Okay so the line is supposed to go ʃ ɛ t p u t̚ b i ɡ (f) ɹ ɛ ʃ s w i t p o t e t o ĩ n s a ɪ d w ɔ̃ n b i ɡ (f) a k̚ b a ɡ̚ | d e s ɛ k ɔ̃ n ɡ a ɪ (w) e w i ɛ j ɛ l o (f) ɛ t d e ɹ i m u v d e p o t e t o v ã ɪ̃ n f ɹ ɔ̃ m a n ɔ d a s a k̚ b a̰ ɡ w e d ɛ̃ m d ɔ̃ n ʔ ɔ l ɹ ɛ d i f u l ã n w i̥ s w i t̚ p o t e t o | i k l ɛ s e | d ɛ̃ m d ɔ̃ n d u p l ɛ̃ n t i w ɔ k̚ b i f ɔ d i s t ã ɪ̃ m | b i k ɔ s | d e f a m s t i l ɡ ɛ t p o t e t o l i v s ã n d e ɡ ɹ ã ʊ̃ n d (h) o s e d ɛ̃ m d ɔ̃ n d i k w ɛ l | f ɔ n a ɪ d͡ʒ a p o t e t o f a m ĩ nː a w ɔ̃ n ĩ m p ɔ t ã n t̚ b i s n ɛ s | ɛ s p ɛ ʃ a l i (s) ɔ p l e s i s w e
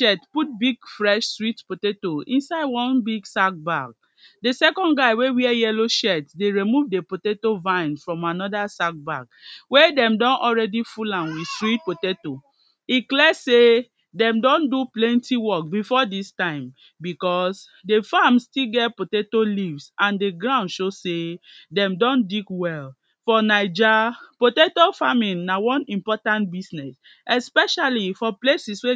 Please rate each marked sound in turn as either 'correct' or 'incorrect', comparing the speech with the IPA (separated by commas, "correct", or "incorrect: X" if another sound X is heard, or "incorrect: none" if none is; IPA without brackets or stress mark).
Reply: correct, incorrect: s, correct, incorrect: ʃ, incorrect: ʃ, incorrect: f